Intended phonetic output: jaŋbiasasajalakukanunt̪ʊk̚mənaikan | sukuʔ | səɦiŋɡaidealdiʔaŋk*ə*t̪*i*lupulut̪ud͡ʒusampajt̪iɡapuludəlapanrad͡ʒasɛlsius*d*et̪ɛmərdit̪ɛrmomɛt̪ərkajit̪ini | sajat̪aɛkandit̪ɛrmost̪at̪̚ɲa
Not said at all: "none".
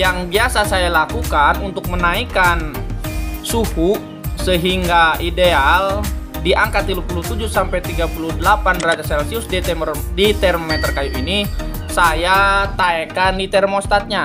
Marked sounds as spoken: a, i, d

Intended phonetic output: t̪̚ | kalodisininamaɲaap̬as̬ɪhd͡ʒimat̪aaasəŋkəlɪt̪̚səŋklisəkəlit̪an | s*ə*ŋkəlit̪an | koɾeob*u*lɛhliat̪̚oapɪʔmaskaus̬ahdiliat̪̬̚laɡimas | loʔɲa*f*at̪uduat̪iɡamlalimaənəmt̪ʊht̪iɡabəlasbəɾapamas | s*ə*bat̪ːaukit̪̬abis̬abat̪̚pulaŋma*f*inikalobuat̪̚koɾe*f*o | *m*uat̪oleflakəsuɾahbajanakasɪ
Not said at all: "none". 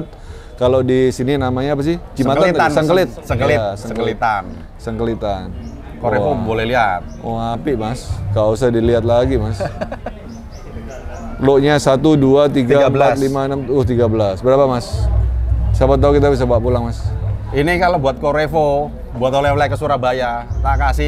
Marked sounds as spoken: ə, o, s, a, s, f, b

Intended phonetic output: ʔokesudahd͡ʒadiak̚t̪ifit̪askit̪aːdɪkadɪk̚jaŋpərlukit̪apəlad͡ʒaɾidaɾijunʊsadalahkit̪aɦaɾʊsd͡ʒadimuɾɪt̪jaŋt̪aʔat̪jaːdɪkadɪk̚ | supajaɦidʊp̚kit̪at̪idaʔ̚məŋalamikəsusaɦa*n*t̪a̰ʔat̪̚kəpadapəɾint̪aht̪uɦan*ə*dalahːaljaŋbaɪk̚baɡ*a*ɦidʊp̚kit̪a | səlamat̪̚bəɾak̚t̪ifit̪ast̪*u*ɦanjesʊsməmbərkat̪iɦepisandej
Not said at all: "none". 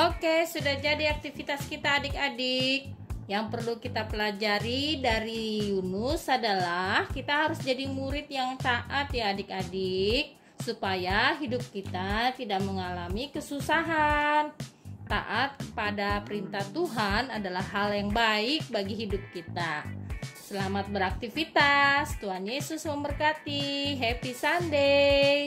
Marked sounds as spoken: n, a, i, u

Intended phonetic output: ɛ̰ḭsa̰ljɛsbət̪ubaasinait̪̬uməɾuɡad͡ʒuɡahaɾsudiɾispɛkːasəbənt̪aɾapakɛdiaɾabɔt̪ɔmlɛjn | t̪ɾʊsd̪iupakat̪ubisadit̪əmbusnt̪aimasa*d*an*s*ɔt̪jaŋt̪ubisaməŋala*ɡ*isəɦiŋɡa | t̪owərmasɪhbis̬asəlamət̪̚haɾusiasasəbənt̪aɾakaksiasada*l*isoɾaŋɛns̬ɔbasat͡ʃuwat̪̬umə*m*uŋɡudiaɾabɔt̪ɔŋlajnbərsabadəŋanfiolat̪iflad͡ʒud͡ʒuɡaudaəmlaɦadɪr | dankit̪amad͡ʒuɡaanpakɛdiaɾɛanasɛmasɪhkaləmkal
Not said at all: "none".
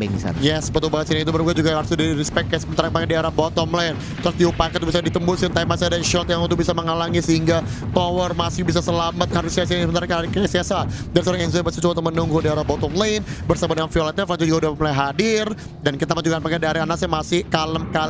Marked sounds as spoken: d, ʃ, ŋ, ɾ, n

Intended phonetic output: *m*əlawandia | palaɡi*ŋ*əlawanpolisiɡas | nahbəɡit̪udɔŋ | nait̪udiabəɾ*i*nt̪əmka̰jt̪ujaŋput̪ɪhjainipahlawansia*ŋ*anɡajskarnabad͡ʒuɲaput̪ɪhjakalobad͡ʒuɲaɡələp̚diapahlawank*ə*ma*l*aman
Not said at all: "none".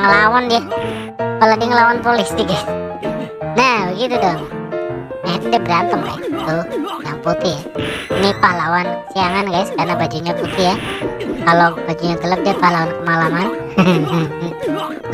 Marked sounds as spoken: ŋ, ŋ, a, ŋ, ə, l

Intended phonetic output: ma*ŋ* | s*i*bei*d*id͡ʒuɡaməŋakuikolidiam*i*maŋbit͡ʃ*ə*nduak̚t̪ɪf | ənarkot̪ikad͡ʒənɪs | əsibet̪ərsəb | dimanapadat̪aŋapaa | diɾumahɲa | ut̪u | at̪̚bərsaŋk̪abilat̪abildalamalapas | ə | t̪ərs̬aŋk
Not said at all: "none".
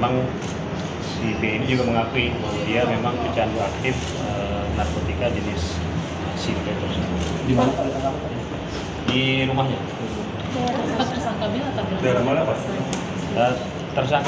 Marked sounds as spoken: ŋ, i, n, e, a

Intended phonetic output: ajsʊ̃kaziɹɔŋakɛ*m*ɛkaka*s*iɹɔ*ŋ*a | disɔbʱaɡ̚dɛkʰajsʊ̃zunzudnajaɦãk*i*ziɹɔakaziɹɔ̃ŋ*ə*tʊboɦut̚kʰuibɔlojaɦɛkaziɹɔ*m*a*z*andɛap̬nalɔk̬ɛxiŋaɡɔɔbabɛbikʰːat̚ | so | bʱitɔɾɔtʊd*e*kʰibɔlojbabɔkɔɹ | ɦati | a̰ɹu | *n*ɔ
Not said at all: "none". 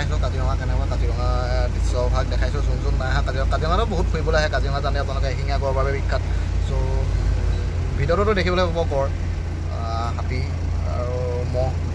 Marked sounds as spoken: n, z, ŋ, a, a, ŋ, z, e, m

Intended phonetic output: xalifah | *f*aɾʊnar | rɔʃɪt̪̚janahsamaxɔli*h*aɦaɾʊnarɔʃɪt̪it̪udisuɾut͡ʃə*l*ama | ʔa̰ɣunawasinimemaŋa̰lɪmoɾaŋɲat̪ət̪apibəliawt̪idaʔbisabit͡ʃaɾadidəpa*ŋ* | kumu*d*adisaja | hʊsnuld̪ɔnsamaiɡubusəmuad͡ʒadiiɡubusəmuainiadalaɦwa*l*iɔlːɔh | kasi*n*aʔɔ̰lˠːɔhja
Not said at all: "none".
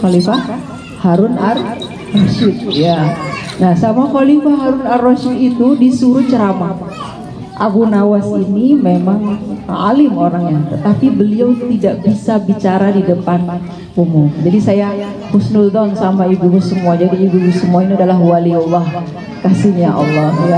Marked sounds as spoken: h, f, ɾ, n, d͡ʒ, l, ɲ

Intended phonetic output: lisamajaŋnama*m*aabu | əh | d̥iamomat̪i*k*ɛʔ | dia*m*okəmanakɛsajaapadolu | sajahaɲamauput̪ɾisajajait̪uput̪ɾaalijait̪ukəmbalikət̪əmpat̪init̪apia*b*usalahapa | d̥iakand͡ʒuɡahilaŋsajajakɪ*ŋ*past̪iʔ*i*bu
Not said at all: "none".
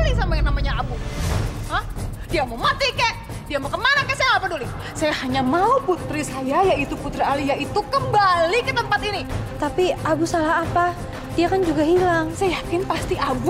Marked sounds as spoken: ɲ, k, m, b, n, a

